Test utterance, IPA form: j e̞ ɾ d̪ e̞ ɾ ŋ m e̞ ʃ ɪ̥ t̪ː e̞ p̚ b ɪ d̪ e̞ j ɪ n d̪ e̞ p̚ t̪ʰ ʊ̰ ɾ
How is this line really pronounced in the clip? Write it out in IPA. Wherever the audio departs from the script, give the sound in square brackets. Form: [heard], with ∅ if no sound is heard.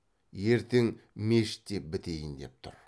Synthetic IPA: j e̞ ɾ [t̪] e̞ [∅] ŋ m e̞ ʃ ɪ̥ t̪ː e̞ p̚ b ɪ [t̪] e̞ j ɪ n d̪ e̞ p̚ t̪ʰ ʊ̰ ɾ